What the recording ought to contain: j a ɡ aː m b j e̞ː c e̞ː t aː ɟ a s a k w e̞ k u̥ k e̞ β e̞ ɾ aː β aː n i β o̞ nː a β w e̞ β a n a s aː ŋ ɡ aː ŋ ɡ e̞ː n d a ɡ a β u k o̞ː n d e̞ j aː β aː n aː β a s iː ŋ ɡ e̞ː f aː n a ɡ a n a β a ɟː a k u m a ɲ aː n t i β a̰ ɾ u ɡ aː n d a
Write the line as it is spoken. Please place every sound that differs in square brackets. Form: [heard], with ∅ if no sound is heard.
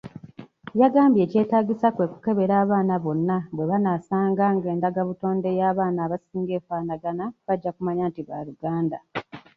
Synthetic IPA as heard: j a ɡ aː m b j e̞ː c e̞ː t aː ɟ [i] s a k w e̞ k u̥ k e̞ β e̞ ɾ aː β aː n [a] β o̞ nː a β w e̞ β a n a s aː ŋ ɡ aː ŋ ɡ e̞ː n d a ɡ a β u [t] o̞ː n d e̞ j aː β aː n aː β a s iː ŋ ɡ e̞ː f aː n a ɡ a n a β a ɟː a k u m a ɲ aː n t i β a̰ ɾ u ɡ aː n d a